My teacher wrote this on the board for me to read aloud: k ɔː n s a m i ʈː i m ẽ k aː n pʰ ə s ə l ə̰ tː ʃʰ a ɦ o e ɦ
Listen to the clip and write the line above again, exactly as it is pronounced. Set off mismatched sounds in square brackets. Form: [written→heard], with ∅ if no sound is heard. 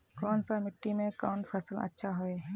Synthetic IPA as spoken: k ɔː n s a m [i→ɪ] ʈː i m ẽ k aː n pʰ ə s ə l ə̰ tː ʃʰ a ɦ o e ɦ